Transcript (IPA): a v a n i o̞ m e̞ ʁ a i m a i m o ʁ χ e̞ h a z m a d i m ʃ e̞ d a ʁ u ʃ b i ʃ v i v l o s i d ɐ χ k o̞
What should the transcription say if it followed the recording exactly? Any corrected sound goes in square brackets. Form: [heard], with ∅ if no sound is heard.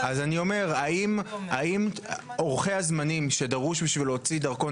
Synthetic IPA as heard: a [z] a n i o̞ m e̞ ʁ a i m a i m o ʁ χ e̞ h a z m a [n] i m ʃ e̞ d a ʁ u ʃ b i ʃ v i [∅] l o [t͡s] i d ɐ [ʁ] k o̞